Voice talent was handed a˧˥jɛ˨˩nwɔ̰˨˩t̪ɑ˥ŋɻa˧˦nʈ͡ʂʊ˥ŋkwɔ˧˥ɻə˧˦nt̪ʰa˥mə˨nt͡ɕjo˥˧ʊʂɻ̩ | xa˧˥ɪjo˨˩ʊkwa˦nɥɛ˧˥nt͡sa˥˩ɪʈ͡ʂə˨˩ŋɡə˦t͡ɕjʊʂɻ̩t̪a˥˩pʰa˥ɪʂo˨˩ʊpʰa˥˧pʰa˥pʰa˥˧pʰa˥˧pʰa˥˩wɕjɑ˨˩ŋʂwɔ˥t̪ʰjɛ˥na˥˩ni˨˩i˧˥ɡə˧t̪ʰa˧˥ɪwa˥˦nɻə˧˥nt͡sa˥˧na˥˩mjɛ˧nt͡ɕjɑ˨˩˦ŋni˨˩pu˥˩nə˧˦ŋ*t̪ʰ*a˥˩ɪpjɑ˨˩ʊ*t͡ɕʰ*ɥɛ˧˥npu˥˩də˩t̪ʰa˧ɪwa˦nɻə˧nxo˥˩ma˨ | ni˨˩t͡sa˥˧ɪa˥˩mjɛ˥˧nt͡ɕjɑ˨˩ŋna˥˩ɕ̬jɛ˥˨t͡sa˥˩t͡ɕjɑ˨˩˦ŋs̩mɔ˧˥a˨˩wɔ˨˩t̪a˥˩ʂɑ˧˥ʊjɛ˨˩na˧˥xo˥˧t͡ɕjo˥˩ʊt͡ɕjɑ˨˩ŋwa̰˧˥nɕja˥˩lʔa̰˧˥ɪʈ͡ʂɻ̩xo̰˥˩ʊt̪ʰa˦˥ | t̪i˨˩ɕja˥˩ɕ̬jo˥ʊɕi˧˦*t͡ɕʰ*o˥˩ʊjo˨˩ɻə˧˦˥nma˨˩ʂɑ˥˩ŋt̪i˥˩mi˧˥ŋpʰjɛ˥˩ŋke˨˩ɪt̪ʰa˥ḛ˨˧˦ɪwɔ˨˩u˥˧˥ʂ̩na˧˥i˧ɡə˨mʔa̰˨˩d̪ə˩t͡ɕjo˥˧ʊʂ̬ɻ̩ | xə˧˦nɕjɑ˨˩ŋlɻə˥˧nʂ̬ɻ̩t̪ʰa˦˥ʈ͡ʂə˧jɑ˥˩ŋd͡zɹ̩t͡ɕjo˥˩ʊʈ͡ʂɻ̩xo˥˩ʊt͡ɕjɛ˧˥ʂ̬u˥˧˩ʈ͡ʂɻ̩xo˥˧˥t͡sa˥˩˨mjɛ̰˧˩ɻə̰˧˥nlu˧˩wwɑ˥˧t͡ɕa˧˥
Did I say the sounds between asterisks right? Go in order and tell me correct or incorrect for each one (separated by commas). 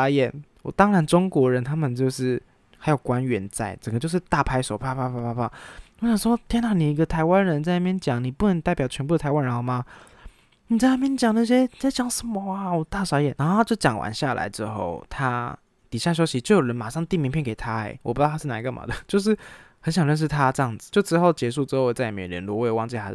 incorrect, correct, incorrect